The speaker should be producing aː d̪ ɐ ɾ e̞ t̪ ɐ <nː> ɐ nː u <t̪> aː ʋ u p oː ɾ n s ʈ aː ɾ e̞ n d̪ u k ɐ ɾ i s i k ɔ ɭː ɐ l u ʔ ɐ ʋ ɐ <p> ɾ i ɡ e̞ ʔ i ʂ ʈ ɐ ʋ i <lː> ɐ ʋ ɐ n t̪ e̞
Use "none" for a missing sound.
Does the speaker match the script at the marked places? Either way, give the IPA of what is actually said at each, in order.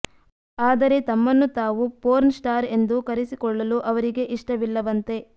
mː, t̪, none, lː

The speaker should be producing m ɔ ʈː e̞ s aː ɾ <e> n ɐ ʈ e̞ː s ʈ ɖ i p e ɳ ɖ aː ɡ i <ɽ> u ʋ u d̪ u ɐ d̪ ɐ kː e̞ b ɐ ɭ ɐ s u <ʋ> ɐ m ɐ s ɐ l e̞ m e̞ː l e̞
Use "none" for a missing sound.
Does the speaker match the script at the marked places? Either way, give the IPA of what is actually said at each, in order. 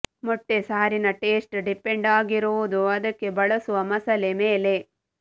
i, ɾ, ʋ

